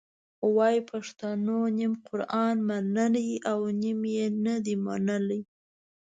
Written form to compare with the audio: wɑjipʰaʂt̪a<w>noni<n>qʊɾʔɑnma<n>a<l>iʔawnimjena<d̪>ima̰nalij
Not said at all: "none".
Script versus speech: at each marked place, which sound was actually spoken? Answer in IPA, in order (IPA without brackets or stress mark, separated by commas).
none, m, n, l, d̪